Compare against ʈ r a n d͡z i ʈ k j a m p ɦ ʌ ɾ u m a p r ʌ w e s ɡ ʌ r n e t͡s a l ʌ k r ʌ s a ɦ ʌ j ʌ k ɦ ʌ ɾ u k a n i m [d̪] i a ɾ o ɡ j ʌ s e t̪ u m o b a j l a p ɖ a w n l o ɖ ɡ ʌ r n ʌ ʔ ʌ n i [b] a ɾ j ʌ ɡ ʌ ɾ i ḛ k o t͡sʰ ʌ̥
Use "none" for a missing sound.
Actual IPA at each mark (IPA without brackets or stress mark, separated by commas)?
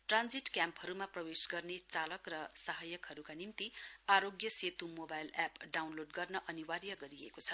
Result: t̪, w